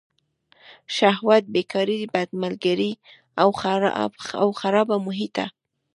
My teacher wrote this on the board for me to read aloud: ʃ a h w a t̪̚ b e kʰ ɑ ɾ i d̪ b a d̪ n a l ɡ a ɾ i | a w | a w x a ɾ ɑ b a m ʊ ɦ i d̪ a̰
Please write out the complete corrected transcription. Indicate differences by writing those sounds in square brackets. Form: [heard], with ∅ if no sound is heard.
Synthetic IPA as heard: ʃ a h w a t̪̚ b e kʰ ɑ ɾ i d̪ b a d̪ [m] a l ɡ a ɾ i | a w | a w x a ɾ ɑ b a m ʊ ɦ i [t̪] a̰